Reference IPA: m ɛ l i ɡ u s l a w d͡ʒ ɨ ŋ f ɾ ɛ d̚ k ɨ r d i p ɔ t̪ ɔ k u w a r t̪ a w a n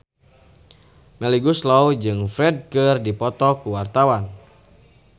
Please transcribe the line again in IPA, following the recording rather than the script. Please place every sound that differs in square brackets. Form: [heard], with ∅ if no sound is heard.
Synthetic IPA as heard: m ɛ l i ɡ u s l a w d͡ʒ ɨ ŋ f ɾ ɛ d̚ k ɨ r d i p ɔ t̪ ɔ k u w a r t̪ a w a n